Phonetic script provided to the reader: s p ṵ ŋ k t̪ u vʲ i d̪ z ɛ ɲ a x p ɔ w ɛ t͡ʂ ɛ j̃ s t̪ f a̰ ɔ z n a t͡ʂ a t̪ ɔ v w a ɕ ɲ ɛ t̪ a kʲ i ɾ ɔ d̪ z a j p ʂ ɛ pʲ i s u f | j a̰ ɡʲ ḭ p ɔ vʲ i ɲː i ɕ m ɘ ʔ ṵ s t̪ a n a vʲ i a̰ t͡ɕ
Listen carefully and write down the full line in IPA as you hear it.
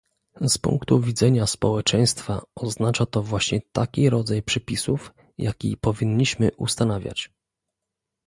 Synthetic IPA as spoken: s p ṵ ŋ k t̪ u vʲ i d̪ z ɛ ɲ a s p ɔ w ɛ t͡ʂ ɛ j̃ s t̪ f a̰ ɔ z n a t͡ʂ a t̪ ɔ v w a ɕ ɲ ɛ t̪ a kʲ i ɾ ɔ d̪ z a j p ʂ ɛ pʲ i s u f | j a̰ kʲ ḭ p ɔ vʲ i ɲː i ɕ m ɘ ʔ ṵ s t̪ a n a vʲ j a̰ t͡ɕ

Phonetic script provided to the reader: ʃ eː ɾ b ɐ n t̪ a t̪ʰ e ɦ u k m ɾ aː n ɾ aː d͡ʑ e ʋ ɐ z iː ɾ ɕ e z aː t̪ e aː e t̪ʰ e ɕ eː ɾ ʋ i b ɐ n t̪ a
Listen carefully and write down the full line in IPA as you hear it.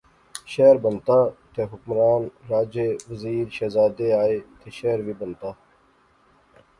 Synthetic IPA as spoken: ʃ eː ɾ b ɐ n t̪ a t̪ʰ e ɦ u k m ɾ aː n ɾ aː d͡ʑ e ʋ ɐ z iː ɾ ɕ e z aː d̪ e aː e t̪ʰ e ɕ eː ɾ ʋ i b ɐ n t̪ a

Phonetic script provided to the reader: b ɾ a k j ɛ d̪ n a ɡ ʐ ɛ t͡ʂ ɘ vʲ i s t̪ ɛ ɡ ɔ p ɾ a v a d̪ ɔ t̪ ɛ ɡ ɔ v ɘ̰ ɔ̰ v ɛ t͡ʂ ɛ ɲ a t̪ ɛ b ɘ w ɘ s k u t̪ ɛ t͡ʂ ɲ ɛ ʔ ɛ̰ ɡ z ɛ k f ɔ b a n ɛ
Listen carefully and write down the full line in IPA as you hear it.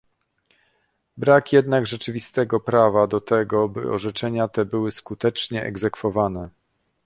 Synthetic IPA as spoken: b ɾ a k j ɛ d̪ n a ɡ ʐ ɛ t͡ʂ ɘ vʲ i s t̪ ɛ ɡ ɔ p ɾ a v a d̪ ɔ t̪ ɛ ɡ ɔ b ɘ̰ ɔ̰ ʐ ɛ t͡ʂ ɛ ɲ a t̪ ɛ b ɘ w ɘ s k u t̪ ɛ t͡ʂ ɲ ɛ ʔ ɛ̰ ɡ z ɛ k f ɔ v a n ɛ

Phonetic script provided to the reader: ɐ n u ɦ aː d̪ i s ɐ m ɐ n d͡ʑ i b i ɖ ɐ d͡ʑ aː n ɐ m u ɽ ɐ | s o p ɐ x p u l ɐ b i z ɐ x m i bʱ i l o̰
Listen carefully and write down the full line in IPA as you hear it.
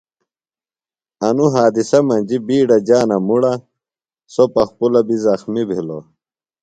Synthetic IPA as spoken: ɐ n u ɦ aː d̪ i s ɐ m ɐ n d͡ʑ i b iː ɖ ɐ d͡ʑ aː n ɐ m u ɽ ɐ | s o p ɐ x p u l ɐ b i z ɐ x m i bʱ i l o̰

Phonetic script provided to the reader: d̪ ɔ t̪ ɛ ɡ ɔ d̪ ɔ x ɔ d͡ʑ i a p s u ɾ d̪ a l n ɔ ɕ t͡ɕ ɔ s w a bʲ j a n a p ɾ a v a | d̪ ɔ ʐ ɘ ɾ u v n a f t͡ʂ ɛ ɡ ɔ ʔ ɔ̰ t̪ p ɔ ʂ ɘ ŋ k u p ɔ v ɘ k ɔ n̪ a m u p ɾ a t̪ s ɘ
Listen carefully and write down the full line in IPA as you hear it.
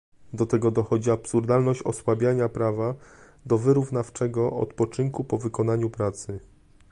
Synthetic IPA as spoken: d̪ ɔ t̪ ɛ ɡ ɔ d̪ ɔ x ɔ d͡ʑ i a p s u ɾ d̪ a l n ɔ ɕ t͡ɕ ɔ s w a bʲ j a ɲ a p ɾ a v a | d̪ ɔ v ɘ ɾ u v n a f t͡ʂ ɛ ɡ ɔ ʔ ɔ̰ t̪ p ɔ t͡ʂ ɘ ŋ k u p ɔ v ɘ k ɔ n̪ a ɲ u p ɾ a t̪ s ɘ

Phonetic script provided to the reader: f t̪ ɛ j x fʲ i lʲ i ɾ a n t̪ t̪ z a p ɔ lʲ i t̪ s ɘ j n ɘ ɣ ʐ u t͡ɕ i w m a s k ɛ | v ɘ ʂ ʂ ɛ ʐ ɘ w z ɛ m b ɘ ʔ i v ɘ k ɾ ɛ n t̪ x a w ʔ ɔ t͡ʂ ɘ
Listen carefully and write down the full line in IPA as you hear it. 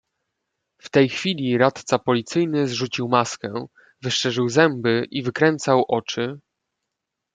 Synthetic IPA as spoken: f t̪ ɛ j x fʲ i lʲ i ɾ a t̪ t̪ s a p ɔ lʲ i t̪ s ɘ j n ɘ z ʐ u t͡ɕ i w m a s k ɛ | v ɘ ʂ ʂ ɛ ʐ ɘ w z ɛ m b ɘ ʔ i v ɘ k ɾ ɛ n t̪ s a w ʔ ɔ t͡ʂ ɘ

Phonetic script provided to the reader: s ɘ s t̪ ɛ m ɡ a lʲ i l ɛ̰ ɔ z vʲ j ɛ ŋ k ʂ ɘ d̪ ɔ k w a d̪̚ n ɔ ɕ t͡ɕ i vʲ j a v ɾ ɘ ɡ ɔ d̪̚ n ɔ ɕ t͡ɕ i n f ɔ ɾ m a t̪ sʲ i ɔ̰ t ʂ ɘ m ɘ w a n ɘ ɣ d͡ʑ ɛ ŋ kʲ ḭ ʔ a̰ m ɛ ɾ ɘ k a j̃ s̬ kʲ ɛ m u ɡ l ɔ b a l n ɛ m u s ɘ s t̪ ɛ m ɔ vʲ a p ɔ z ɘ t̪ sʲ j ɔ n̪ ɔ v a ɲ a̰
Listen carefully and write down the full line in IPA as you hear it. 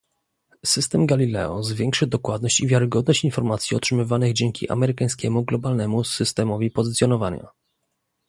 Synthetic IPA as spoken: s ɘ s t̪ ɛ m ɡ a lʲ i l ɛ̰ ɔ z vʲ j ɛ ŋ k ʂ ɘ d̪ ɔ k w a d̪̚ n ɔ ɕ t͡ɕ i vʲ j a ɾ ɘ ɡ ɔ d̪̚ n ɔ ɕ t͡ɕ i n f ɔ ɾ m a t̪ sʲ i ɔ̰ t ʂ ɘ m ɘ v a n ɘ ɣ d͡ʑ ɛ ŋ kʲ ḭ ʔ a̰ m ɛ ɾ ɘ k a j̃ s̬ kʲ ɛ m u ɡ l ɔ b a l n ɛ m u s ɘ s t̪ ɛ m ɔ vʲ i p ɔ z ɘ t̪ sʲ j ɔ n̪ ɔ v a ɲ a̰

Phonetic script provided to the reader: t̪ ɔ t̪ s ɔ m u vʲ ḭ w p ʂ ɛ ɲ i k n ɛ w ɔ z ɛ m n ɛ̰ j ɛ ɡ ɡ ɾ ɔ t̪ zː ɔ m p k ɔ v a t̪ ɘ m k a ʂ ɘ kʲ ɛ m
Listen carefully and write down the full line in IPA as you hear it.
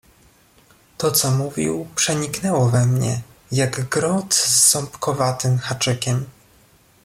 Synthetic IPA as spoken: t̪ ɔ t̪ s ɔ m u vʲ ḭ w p ʂ ɛ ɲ i k n ɛ w ɔ v ɛ m ɲ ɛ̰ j a ɡ ɡ ɾ ɔ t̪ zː ɔ m p k ɔ v a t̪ ɘ m x a t͡ʂ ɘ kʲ ɛ m

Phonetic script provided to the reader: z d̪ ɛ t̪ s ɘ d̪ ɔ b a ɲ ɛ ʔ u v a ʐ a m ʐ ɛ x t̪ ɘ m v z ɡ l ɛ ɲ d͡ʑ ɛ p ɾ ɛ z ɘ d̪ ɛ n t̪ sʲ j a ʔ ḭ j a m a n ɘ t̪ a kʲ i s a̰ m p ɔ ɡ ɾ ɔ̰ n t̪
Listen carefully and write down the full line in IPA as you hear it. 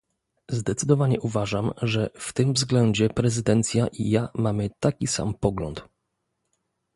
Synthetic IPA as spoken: z d̪ ɛ t̪ s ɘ d̪ ɔ v a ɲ ɛ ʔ u v a ʐ a m ʐ ɛ f t̪ ɘ m v z ɡ l ɛ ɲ d͡ʑ ɛ p ɾ ɛ z ɘ d̪ ɛ n t̪ sʲ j a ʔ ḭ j a m a m ɘ t̪ a kʲ i s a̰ m p ɔ ɡ l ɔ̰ n t̪

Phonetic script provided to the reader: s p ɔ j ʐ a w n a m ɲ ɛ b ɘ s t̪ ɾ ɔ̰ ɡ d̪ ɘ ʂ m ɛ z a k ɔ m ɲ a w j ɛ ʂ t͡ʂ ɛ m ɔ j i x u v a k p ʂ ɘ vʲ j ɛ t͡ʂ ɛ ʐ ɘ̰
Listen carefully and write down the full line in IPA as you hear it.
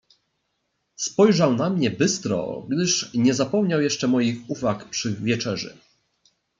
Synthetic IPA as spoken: s p ɔ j ʐ a w n a m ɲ ɛ b ɘ s t̪ ɾ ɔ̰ ɡ d̪ ɘ ʂ ɲ ɛ z a p ɔ m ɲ a w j ɛ ʂ t͡ʂ ɛ m ɔ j i x u v a k p ʂ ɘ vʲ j ɛ t͡ʂ ɛ ʐ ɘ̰

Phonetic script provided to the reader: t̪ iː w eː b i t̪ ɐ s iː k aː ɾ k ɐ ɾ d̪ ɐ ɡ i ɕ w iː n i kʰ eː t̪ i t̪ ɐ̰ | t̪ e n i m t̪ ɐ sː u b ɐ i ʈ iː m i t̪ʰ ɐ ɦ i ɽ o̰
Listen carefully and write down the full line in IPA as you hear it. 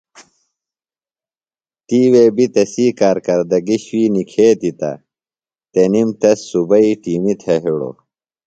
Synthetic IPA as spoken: t̪ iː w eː b i t̪ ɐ s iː k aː ɾ k ɐ ɾ d̪ ɐ ɡ i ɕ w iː n i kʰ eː t̪ i t̪ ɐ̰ | t̪ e n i m t̪ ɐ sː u b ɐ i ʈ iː m i t̪ʰ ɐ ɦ i ɽ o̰

